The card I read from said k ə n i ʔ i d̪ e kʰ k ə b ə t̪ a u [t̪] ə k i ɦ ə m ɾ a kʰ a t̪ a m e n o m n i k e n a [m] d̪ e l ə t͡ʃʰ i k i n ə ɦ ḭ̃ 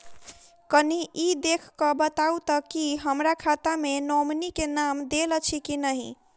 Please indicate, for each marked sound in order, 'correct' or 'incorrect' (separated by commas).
correct, correct